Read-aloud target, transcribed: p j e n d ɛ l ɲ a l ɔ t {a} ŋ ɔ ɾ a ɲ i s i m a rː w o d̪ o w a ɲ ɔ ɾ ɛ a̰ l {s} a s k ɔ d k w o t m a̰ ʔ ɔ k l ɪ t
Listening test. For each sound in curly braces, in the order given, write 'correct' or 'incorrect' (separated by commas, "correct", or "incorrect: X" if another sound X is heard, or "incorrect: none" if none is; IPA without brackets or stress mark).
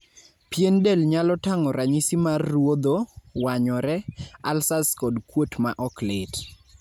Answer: correct, correct